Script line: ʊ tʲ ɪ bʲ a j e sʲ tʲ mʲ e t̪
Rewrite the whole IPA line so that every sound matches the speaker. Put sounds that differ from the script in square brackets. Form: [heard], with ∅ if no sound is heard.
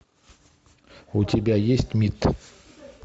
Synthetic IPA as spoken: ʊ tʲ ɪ bʲ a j e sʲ tʲ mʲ [i] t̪